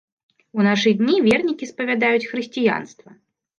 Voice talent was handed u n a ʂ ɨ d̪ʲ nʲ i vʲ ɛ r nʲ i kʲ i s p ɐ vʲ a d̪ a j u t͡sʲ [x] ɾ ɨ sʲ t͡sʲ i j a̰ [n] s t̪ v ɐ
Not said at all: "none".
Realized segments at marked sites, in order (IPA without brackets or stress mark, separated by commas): x, n